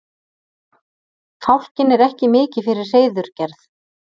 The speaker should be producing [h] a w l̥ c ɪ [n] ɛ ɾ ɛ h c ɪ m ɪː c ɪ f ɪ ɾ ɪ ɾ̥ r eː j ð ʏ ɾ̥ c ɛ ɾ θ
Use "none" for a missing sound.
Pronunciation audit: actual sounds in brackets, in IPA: f, n

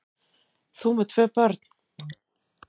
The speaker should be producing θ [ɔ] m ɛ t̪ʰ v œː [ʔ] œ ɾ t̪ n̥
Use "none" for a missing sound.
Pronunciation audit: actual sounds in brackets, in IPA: u, p

